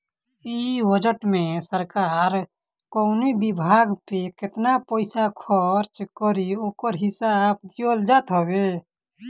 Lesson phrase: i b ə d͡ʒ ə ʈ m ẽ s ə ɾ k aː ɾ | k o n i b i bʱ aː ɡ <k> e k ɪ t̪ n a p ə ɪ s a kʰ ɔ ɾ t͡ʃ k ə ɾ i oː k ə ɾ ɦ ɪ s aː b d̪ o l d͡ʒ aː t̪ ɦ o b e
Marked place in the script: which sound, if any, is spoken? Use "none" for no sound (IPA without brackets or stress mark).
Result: p